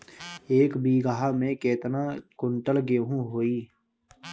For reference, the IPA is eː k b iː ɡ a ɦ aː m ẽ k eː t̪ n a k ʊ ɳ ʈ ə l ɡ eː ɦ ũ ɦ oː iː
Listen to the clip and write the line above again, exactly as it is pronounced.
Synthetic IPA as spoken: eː k b iː ɡ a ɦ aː m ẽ k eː t̪ n a k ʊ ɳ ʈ ə l ɡ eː ɦ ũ ɦ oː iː